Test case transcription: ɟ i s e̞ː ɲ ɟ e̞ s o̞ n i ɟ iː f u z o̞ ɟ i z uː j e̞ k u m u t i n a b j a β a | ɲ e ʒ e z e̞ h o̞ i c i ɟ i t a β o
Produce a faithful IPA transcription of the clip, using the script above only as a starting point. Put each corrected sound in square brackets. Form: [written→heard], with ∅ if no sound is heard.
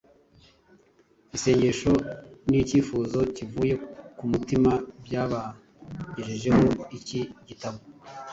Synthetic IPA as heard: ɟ i s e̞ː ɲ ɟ e̞ [s→ʃ] o̞ n i [ɟ→c] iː f u z o̞ [ɟ→c] i [z→v] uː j e̞ k u m u t i [n→m] a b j a β a | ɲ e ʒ e [z→ʒ] e̞ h o̞ i c i ɟ i t a β o

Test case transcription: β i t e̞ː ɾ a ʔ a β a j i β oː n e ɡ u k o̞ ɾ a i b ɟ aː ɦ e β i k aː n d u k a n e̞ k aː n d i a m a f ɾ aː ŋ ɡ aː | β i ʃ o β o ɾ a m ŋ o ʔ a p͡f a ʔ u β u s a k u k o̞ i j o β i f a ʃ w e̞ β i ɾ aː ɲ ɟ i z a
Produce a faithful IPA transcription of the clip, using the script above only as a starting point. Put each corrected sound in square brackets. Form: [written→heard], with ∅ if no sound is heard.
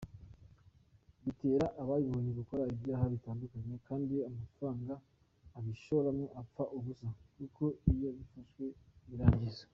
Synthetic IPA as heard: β i t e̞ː ɾ a ʔ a β a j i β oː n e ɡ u k o̞ ɾ a i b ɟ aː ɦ [e→a] β i [k→t] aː n d u k a [n→ɲ] e̞ k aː n d i a m a f ɾ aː ŋ ɡ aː | β i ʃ o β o ɾ a m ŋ o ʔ a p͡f a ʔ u β u s a k u k o̞ i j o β i f a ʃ w e̞ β i ɾ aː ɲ ɟ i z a

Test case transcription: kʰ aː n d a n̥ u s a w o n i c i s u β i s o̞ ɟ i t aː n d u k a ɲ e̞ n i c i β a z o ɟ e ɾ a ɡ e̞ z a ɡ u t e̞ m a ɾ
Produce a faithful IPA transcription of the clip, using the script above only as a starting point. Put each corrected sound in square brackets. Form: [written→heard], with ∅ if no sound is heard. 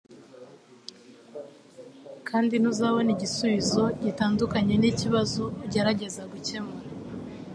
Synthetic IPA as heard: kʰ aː n d [a→i] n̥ u [s→z] a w o n i [c→ɟ] i s u β i [s→z] o̞ ɟ i t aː n d u k a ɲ e̞ n i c i β a z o ɟ e ɾ a [ɡ→ɟ] e̞ z a ɡ u [t→c] e̞ m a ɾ

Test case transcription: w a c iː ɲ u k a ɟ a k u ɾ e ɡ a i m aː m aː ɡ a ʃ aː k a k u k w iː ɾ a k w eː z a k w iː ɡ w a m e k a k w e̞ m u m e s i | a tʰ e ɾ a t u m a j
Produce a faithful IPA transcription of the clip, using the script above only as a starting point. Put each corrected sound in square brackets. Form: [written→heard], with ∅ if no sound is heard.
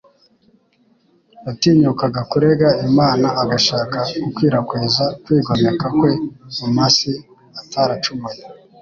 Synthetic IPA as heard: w a [c→t] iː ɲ u k a [ɟ→ɡ] a k u ɾ e ɡ a i m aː [m→n] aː ɡ a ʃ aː k a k u k w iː ɾ a k w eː z a k w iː ɡ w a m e k a k w e̞ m u m [e→a] s i | a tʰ [e→a] ɾ a [t→t͡ʃ] u m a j

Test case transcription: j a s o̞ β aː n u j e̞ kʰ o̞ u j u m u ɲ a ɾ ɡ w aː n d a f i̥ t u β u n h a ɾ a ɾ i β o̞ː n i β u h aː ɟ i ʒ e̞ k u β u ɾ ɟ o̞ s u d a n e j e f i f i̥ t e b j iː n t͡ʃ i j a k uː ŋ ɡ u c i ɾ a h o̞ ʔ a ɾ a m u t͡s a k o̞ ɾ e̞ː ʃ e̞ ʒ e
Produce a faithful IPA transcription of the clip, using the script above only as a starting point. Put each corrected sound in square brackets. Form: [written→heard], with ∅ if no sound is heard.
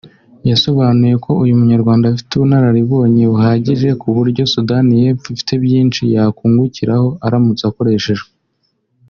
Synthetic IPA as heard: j a s o̞ β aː n u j e̞ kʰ o̞ u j u m u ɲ a ɾ ɡ w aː n d a f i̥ t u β u n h a ɾ a ɾ i β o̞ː [n→ɲ] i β u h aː ɟ i ʒ e̞ k u β u ɾ ɟ o̞ s u d a n [e→i] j e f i f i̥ t e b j iː n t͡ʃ i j a k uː ŋ ɡ u c i ɾ a h o̞ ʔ a ɾ a m u t͡s a k o̞ ɾ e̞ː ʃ e̞ ʒ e

